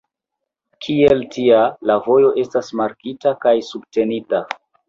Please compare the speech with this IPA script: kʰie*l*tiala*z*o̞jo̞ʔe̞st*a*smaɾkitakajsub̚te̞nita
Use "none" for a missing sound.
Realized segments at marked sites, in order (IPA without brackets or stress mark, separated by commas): l, v, a